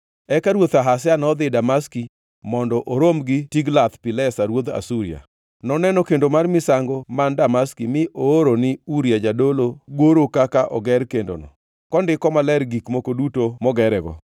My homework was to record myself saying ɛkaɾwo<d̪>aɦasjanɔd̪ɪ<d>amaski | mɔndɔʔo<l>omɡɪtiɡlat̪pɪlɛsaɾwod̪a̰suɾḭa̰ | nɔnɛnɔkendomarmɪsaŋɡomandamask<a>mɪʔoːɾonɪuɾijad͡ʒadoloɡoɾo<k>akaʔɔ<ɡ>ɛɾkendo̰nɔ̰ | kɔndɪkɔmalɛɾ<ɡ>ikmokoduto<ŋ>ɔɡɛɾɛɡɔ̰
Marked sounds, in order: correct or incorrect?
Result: incorrect: t̪, correct, incorrect: ɾ, incorrect: i, correct, correct, correct, incorrect: m

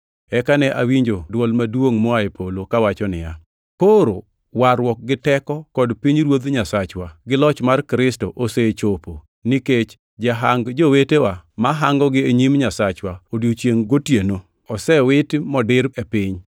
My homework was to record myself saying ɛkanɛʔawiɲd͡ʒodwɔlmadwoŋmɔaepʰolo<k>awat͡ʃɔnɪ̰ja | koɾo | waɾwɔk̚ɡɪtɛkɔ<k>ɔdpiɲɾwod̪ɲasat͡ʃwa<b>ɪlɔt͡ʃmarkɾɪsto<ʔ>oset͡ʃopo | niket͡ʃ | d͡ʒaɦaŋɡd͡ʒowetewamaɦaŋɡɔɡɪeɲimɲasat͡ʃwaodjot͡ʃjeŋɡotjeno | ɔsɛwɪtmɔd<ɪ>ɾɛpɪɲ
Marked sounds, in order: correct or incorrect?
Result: correct, correct, incorrect: ɡ, correct, correct

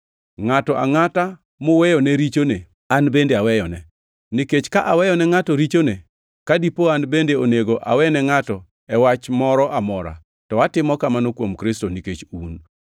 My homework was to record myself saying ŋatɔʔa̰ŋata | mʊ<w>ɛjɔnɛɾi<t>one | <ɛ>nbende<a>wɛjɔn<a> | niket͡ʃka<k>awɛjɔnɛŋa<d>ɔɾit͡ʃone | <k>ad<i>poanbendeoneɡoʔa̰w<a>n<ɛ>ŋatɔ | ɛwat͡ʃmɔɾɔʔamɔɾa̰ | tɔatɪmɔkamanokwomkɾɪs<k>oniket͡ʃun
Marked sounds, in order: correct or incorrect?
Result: correct, incorrect: t͡ʃ, incorrect: a, correct, incorrect: ɛ, incorrect: ʔ, incorrect: t, correct, correct, incorrect: ɛ, correct, incorrect: t

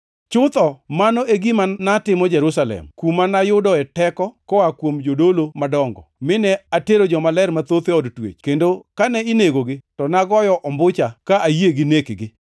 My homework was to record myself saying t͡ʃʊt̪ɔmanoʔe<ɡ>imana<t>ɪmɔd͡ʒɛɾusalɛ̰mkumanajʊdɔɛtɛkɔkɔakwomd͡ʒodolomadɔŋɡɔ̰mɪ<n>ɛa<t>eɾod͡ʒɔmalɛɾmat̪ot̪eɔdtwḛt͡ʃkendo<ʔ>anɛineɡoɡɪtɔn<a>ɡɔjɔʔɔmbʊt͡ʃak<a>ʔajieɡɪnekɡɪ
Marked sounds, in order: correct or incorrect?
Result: correct, correct, correct, correct, incorrect: k, correct, correct

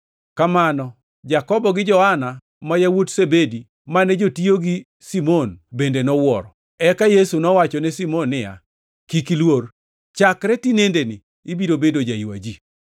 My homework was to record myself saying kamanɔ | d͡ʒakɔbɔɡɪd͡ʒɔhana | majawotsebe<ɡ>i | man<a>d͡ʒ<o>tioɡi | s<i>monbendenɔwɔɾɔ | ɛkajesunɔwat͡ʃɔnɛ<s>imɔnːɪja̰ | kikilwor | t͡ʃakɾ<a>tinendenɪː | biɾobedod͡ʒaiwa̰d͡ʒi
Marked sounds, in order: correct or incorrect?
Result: incorrect: d, incorrect: ɛ, correct, correct, correct, incorrect: ɛ

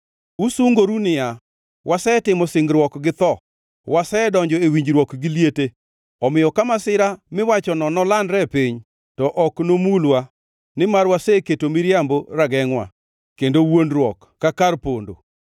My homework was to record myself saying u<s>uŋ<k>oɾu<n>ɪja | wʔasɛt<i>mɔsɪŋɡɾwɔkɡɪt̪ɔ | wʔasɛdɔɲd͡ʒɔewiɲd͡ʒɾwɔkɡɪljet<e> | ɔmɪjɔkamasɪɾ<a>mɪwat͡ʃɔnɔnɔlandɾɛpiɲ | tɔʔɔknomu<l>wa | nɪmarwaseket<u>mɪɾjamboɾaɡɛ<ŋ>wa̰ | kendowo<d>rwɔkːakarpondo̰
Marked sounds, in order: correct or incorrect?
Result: correct, incorrect: ɡ, correct, incorrect: ɪ, correct, correct, correct, incorrect: o, correct, incorrect: n

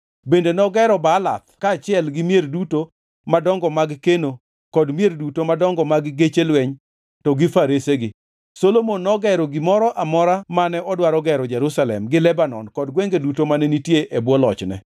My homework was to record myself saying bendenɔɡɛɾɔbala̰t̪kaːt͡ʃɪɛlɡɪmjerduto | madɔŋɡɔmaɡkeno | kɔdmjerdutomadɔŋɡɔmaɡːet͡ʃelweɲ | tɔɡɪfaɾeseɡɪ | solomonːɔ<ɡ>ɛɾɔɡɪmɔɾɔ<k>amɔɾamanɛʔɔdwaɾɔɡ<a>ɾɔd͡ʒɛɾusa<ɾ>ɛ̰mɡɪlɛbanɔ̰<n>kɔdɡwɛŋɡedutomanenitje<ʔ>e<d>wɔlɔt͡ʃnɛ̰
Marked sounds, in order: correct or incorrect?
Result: correct, incorrect: ʔ, incorrect: ɛ, incorrect: l, correct, correct, incorrect: b

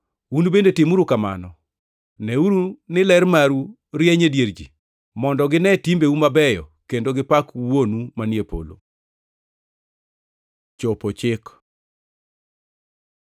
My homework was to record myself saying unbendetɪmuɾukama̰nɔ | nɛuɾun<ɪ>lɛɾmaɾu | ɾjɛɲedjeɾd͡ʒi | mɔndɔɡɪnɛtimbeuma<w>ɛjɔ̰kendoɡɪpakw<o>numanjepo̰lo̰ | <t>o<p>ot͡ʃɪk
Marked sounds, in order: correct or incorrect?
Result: correct, incorrect: b, correct, incorrect: t͡ʃ, correct

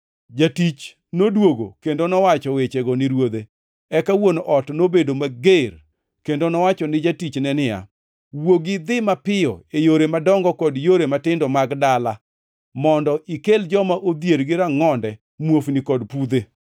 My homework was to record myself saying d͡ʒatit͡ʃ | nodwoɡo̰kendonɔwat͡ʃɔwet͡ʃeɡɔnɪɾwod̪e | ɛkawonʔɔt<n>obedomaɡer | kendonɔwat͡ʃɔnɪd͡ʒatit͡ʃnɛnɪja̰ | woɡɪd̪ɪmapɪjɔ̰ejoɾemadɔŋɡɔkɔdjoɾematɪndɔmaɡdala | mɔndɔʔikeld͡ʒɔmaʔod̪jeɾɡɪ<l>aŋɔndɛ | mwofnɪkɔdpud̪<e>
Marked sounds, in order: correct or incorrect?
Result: correct, incorrect: ɾ, correct

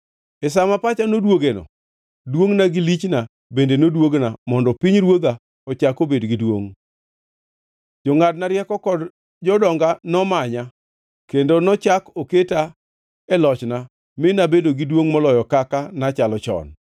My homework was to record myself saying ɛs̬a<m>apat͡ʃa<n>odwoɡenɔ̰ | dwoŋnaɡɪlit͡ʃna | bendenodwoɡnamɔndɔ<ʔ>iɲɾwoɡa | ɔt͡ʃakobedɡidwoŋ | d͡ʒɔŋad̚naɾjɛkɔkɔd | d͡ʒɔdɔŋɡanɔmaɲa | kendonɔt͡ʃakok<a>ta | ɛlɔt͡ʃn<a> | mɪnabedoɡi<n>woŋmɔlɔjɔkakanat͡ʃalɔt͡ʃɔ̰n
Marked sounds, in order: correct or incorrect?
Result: correct, correct, incorrect: p, incorrect: e, correct, incorrect: d

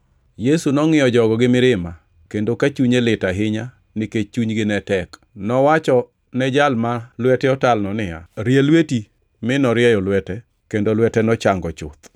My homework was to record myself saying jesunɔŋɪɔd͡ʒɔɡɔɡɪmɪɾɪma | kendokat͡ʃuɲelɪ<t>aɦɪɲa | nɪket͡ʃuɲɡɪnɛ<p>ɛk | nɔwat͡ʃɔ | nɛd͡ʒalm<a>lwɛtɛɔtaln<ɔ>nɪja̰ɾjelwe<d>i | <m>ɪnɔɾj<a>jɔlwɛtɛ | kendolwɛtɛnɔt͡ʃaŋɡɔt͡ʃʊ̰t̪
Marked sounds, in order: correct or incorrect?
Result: correct, incorrect: t, correct, correct, incorrect: t, correct, incorrect: ɛ

